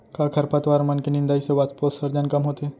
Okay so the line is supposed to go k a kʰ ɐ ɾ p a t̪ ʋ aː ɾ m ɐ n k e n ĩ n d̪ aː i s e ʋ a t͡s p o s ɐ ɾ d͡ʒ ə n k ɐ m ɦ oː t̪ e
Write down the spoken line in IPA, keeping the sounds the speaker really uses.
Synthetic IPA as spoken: k a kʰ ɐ ɾ p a t̪ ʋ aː ɾ m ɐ n k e n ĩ n d̪ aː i s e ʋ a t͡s p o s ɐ ɾ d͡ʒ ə n k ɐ m ɦ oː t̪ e

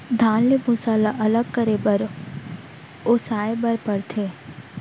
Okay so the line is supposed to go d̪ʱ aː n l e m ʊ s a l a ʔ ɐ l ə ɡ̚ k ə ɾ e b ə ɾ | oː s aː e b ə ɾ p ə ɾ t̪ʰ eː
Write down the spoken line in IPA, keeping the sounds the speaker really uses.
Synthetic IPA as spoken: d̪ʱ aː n l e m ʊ s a l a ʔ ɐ l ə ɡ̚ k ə ɾ e b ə ɾ | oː s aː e b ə ɾ p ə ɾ t̪ʰ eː

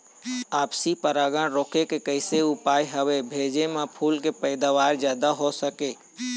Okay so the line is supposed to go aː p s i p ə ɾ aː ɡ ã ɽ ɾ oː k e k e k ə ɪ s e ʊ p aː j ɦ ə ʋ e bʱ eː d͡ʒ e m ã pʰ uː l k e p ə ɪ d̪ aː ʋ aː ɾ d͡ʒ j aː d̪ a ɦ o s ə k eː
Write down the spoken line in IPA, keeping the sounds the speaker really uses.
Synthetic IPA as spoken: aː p s i p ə ɾ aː ɡ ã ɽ ɾ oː k e k e k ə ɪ s e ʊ p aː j ɦ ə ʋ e bʱ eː d͡ʒ e m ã pʰ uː l k e p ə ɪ d̪ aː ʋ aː ɾ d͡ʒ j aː d̪ a ɦ o s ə k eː

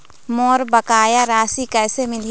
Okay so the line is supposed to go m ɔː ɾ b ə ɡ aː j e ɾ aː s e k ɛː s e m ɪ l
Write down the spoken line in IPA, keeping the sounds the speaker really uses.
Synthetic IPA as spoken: m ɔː ɾ b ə k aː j a ɾ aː s i k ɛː s e m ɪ l

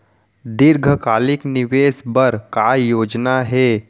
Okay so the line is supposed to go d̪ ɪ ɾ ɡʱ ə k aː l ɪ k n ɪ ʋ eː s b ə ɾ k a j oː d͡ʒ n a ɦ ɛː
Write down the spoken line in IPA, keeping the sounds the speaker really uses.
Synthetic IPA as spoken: d̪ ɪ ɾ ɡʱ ə k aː l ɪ k n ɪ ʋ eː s b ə ɾ k a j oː d͡ʒ n a ɦ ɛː

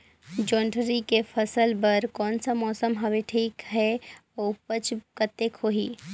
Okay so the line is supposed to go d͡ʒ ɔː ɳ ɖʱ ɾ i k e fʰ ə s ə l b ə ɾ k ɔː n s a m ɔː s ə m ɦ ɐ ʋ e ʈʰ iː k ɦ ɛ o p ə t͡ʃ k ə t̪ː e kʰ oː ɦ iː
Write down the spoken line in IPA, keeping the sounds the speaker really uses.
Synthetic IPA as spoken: d͡ʒ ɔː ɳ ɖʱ ɾ i k e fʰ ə s ə l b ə ɾ k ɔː n s a m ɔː s ə m ɦ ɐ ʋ e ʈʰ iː k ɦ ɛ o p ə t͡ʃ k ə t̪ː e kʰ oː ɦ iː

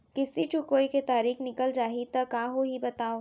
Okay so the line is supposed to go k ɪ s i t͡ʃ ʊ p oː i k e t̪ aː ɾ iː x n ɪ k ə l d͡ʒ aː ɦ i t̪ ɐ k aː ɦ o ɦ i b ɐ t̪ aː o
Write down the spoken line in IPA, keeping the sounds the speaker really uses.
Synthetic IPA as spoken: k ɪ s i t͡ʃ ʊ k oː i k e t̪ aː ɾ iː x n ɪ k ə l d͡ʒ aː ɦ i t̪ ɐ k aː ɦ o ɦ i b ɐ t̪ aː o

